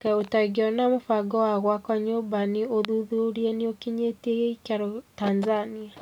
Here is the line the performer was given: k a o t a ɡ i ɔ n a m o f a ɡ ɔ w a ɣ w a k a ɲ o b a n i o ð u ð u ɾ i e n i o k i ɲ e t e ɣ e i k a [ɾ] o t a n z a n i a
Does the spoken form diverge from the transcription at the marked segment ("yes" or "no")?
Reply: no